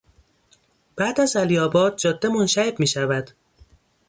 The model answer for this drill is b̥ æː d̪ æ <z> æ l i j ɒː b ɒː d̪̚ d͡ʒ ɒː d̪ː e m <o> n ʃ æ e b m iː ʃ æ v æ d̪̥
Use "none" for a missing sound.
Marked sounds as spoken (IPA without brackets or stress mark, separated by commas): z, o